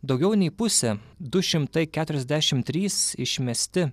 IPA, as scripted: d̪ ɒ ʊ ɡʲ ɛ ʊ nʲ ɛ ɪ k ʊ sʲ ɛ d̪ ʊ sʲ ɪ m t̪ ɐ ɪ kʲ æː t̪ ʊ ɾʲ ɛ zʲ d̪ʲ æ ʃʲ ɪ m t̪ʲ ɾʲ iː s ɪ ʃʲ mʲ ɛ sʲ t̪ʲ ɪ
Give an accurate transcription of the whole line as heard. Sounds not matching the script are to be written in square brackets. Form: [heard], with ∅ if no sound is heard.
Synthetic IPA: d̪ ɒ ʊ ɡʲ ɛ ʊ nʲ ɛ ɪ [p] ʊ sʲ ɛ d̪ ʊ [ʃʲ] ɪ m t̪ ɐ ɪ kʲ æː t̪ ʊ ɾʲ ɛ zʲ d̪ʲ æ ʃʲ ɪ m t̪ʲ ɾʲ iː s ɪ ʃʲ mʲ ɛ sʲ t̪ʲ ɪ